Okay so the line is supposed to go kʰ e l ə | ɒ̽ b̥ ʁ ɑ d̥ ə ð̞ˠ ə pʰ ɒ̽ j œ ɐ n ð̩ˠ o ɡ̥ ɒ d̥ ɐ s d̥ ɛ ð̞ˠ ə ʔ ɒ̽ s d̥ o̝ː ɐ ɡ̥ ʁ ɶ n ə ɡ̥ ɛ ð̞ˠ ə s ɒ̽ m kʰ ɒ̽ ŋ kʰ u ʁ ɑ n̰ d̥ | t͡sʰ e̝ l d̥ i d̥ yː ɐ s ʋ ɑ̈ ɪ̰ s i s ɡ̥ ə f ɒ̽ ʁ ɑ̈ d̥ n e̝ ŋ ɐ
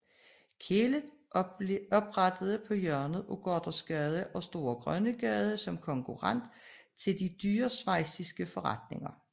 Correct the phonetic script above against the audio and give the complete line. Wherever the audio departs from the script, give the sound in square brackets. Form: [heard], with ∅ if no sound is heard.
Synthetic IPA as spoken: kʰ e l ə | ɒ̽ b̥ ʁ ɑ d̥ ə ð̞ˠ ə pʰ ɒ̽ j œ ɐ n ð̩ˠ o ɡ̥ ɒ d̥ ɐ s [ɡ̥] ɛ ð̞ˠ ə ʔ ɒ̽ s d̥ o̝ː ɐ ɡ̥ ʁ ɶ n ə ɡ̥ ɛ ð̞ˠ ə s ɒ̽ m kʰ ɒ̽ ŋ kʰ u ʁ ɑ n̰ d̥ | t͡sʰ e̝ l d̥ i d̥ yː ɐ s ʋ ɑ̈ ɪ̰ s i s ɡ̥ ə f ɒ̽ ʁ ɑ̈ d̥ n e̝ ŋ ɐ